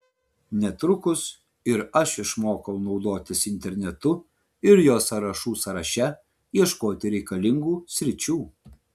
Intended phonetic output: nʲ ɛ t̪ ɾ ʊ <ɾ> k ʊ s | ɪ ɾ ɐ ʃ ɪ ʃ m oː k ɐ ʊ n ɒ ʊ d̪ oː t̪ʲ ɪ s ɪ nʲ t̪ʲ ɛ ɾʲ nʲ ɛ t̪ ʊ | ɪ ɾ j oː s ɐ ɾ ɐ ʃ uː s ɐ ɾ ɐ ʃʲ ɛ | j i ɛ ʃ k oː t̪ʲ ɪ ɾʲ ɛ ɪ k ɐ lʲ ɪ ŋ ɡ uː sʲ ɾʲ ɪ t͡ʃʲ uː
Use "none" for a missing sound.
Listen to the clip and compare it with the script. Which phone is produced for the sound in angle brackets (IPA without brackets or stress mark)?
none